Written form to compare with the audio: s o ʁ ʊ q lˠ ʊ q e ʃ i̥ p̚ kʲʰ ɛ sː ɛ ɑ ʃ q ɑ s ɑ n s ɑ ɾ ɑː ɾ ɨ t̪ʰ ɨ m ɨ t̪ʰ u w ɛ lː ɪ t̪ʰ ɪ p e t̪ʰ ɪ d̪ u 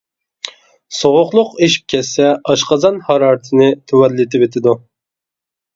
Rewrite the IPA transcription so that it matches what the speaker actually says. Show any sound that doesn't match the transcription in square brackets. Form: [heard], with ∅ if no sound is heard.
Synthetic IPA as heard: s o ʁ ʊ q lˠ ʊ q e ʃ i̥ p̚ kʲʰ ɛ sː ɛ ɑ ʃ q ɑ [z] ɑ n [h] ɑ ɾ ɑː ɾ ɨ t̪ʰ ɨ [n] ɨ t̪ʰ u w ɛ lː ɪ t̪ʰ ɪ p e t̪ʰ ɪ d̪ u